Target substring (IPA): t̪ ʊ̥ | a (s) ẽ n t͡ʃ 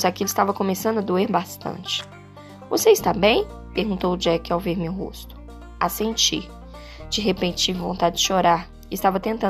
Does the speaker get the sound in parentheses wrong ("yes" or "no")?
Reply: no